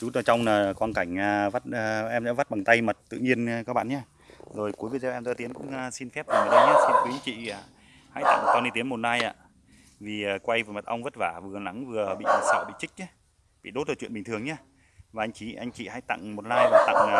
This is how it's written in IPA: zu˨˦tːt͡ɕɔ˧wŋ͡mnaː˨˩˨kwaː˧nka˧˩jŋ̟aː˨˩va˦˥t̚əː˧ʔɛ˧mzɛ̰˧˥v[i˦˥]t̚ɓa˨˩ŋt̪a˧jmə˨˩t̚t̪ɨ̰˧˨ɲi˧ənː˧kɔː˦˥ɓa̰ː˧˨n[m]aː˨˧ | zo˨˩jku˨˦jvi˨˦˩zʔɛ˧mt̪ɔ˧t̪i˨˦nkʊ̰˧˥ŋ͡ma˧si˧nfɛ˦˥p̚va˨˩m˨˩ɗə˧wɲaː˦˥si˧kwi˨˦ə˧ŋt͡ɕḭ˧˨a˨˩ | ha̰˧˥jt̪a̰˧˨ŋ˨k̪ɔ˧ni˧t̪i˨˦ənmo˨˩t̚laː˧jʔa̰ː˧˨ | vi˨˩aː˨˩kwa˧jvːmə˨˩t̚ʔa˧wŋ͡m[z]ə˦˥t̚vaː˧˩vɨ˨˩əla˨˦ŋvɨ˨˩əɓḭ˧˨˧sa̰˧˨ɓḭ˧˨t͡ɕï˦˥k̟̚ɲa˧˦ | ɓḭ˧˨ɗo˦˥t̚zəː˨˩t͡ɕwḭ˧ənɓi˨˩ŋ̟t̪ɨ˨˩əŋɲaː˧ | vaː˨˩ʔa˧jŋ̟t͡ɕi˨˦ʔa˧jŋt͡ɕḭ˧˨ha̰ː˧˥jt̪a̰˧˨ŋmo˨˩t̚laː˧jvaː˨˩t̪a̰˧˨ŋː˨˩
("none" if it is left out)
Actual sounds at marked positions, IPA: a˦˥, ɲ, v

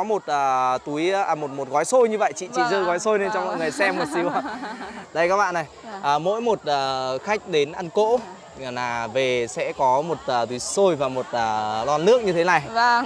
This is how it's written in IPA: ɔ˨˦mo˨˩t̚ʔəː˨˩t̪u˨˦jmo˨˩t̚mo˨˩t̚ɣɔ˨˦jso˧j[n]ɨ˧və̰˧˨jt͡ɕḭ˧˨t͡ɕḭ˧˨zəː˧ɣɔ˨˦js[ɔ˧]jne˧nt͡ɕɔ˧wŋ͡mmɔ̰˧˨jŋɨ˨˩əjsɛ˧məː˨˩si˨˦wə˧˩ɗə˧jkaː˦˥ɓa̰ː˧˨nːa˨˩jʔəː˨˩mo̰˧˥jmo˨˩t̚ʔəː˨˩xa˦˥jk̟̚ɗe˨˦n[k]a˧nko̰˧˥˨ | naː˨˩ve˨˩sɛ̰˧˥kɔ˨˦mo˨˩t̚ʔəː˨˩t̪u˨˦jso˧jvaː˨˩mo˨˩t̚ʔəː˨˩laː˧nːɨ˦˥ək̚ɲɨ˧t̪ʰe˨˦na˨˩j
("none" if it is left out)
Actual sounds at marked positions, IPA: ɲ, o˧, ʔ

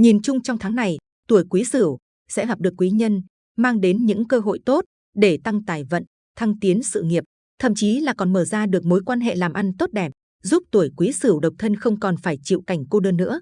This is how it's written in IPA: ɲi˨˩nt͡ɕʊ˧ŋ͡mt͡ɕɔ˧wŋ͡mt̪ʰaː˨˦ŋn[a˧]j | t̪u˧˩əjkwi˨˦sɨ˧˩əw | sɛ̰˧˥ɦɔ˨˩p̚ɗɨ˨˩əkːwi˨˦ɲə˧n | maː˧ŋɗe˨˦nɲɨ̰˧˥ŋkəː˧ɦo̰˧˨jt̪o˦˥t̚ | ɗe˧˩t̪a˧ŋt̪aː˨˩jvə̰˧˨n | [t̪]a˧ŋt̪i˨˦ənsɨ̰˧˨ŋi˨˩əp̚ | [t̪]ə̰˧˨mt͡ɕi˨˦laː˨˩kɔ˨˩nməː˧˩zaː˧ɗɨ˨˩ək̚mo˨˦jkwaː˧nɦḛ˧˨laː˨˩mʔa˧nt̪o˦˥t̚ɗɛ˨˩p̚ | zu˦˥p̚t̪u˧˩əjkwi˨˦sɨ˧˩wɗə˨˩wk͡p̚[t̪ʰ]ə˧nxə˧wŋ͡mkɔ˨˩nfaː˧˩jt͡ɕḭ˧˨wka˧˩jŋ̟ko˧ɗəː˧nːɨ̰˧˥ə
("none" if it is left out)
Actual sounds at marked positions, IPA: a˨˩, t̪ʰ, t̪ʰ, t̪ʰ

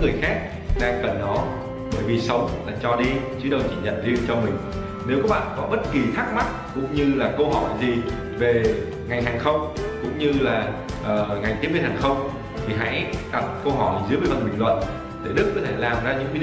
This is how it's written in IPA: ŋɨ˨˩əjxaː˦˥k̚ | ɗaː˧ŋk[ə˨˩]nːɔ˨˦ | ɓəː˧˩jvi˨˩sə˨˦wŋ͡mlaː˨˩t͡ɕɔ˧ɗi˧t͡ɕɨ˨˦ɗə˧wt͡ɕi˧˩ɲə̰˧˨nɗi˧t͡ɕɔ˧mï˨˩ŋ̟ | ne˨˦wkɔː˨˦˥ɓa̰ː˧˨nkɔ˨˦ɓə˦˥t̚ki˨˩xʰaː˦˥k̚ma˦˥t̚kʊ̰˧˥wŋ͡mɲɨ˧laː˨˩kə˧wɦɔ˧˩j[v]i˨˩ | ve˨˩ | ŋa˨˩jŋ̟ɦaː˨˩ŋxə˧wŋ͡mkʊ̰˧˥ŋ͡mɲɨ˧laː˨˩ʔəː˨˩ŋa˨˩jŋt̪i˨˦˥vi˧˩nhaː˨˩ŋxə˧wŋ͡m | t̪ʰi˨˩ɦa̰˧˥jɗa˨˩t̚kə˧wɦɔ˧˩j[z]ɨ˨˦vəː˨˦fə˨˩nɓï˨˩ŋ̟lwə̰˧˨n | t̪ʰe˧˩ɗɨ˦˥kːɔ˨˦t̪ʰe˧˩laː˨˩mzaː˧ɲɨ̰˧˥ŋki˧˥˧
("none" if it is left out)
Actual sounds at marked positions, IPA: ə˨˩, z, z

